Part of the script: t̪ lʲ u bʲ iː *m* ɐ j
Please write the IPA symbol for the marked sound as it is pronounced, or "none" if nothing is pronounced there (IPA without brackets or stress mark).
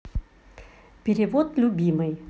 m